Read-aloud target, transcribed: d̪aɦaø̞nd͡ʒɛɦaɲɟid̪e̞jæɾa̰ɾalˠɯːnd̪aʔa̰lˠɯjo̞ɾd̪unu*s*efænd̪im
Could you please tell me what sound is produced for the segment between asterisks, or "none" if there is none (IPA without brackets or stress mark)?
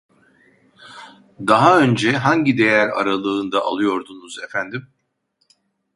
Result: z